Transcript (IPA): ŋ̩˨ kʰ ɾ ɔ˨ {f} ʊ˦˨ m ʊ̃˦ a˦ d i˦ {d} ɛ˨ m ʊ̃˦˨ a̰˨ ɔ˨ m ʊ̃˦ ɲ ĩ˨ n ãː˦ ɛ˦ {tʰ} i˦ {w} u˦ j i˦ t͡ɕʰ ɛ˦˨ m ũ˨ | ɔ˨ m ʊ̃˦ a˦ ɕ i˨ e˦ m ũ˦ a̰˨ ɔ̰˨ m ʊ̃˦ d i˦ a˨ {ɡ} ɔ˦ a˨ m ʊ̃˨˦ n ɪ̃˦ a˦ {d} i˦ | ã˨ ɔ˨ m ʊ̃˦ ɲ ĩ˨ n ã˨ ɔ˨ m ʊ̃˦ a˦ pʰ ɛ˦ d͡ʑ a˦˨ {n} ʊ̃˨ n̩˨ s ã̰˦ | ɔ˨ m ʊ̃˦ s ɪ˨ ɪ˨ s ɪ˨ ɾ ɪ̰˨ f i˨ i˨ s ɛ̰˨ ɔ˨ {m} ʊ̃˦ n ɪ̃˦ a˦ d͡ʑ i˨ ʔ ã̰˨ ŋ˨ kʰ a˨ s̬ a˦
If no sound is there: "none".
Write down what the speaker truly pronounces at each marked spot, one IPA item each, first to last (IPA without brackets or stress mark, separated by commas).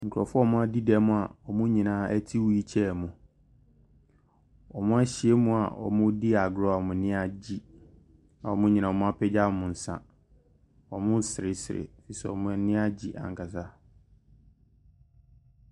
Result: f, d, tʰ, w, ɡ, d͡ʑ, m, m